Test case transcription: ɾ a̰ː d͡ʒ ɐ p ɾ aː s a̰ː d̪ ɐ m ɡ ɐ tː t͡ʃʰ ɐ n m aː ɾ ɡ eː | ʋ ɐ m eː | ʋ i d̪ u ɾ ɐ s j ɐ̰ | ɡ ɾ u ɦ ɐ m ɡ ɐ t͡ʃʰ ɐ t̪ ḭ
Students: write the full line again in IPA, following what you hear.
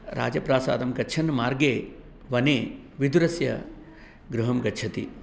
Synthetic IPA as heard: ɾ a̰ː d͡ʒ ɐ p ɾ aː s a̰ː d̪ ɐ m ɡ ɐ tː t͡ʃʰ ɐ n m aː ɾ ɡ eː | ʋ ɐ n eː | ʋ i d̪ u ɾ ɐ s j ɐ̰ | ɡ ɾ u ɦ ɐ m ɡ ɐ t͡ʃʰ ɐ t̪ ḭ

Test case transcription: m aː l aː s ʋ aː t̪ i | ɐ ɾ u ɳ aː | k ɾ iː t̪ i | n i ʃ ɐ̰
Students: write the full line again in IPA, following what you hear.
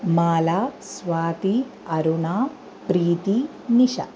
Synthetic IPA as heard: m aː l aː s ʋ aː t̪ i | ɐ ɾ u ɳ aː | p ɾ iː t̪ i | n i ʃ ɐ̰

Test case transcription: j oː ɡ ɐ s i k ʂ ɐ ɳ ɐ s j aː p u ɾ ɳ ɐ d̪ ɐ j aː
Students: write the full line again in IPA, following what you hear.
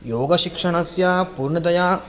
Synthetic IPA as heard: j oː ɡ ɐ ʃ i k ʂ ɐ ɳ ɐ s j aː p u ɾ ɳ ɐ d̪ ɐ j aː

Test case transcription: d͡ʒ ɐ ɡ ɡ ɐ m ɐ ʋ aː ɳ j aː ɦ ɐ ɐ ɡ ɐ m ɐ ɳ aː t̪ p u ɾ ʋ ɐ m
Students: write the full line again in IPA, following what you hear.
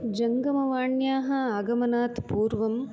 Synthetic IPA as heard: d͡ʒ ɐ ŋ ɡ ɐ m ɐ ʋ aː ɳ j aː ɦ ɐ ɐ ɡ ɐ m ɐ n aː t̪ p uː ɾ ʋ ɐ m

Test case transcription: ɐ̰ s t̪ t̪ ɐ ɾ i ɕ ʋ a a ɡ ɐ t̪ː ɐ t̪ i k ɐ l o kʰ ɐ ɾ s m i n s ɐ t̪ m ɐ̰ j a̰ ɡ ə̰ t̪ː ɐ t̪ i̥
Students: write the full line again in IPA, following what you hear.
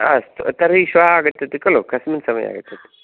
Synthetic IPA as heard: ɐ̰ s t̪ t̪ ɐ ɾ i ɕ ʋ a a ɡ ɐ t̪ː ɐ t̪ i k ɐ l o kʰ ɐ s m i n s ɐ m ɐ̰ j a̰ ɡ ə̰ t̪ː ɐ t̪ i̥

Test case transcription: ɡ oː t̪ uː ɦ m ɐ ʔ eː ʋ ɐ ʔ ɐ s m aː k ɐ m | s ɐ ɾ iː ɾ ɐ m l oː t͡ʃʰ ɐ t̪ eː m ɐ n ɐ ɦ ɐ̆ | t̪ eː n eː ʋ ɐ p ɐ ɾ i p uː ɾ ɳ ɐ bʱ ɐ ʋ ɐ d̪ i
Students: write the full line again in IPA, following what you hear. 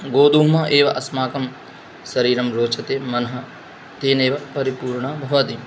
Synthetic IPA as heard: ɡ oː d̪ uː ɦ m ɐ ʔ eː ʋ ɐ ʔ ɐ s m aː k ɐ m | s ɐ ɾ iː ɾ ɐ m ɾ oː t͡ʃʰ ɐ t̪ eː m ɐ n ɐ ɦ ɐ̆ | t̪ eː n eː ʋ ɐ p ɐ ɾ i p uː ɾ ɳ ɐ bʱ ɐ ʋ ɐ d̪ i

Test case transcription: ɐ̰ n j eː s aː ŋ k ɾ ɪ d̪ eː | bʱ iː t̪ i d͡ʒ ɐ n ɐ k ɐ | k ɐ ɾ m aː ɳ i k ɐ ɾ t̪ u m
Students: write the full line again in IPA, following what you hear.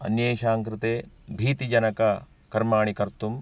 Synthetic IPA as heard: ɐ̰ n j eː ʃ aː ŋ k ɾ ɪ t̪ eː | bʱ iː t̪ i d͡ʒ ɐ n ɐ k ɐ | k ɐ ɾ m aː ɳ i k ɐ ɾ t̪ u m

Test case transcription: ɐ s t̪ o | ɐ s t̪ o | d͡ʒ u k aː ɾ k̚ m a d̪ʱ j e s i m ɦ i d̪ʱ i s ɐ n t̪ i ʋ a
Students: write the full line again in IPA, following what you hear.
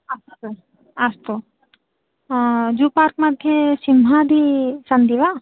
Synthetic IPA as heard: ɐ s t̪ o | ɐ s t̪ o | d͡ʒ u p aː ɾ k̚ m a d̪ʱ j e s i m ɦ a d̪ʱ i s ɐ n d̪ i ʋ a

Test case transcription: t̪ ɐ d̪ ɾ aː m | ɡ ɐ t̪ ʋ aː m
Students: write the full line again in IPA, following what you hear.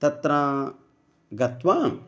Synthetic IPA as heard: t̪ ɐ t̪ ɾ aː | ɡ ɐ t̪ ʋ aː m

